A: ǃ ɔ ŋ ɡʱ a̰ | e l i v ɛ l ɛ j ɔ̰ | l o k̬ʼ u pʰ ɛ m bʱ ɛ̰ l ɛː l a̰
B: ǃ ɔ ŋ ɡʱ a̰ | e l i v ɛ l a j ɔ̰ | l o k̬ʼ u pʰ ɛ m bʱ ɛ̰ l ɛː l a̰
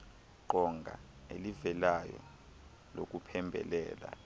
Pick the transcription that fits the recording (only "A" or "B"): B